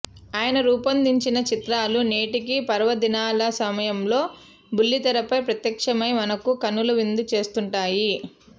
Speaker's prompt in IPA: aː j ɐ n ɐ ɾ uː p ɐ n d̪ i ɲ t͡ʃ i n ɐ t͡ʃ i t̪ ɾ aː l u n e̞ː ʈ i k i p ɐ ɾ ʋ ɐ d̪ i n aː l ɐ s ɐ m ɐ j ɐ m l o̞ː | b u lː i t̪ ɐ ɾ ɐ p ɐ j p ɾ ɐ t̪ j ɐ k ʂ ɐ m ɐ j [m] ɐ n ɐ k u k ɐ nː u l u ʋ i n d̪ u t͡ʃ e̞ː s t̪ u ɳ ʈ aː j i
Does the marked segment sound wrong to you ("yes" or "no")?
no